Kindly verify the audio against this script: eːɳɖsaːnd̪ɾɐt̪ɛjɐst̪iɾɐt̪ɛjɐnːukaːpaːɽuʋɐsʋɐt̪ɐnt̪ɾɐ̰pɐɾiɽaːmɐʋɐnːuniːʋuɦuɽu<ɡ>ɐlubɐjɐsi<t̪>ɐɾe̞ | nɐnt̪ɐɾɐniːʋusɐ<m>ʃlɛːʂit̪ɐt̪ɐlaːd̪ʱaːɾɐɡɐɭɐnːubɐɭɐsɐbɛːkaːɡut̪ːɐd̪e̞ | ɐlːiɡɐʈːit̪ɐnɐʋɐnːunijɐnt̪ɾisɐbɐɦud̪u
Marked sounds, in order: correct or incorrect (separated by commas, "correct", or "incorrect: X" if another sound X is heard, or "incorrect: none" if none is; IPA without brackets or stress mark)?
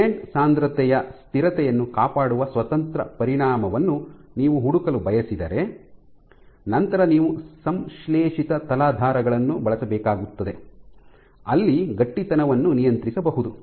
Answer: incorrect: k, incorrect: d̪, correct